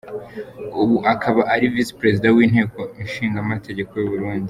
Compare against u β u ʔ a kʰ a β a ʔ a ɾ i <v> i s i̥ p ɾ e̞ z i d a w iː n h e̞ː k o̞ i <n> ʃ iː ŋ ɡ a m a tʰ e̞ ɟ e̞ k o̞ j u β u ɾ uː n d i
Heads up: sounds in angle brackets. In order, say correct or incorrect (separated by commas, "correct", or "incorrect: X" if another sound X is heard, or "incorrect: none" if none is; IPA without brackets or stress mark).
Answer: correct, correct